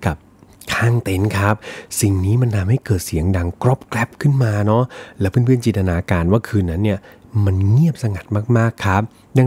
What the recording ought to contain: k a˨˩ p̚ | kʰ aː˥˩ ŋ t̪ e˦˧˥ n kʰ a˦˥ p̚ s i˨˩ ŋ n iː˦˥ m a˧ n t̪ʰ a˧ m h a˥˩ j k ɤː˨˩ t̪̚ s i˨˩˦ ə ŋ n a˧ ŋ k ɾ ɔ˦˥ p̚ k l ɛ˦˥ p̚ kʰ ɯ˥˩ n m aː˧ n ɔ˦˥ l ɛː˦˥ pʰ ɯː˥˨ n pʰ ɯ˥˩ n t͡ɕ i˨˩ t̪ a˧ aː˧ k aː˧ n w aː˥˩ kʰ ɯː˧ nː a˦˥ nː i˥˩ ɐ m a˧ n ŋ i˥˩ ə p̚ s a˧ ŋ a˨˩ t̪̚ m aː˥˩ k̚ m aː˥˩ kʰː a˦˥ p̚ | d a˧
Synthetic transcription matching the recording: k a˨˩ p̚ | kʰ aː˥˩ ŋ t̪ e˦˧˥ n kʰ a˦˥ p̚ s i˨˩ ŋ n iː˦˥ m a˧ n t̪ʰ a˧ m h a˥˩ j k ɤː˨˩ t̪̚ s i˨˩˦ ə ŋ d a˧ ŋ k ɾ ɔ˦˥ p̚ k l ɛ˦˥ p̚ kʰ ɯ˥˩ n m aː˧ n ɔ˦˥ l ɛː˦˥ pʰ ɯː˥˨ n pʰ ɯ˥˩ n t͡ɕ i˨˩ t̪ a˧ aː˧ k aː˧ n w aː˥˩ kʰ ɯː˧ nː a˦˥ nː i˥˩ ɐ m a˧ n ŋ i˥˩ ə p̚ s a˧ ŋ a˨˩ t̪̚ m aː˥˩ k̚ m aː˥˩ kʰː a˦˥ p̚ | d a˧